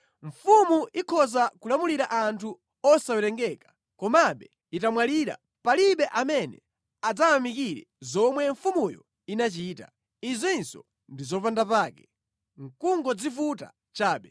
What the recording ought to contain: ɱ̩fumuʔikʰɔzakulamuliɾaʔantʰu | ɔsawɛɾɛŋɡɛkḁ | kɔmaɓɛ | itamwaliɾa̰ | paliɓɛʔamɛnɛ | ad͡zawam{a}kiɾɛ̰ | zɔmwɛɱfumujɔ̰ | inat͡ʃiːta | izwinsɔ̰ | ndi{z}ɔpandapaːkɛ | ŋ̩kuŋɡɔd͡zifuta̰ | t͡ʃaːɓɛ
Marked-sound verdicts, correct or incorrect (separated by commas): incorrect, correct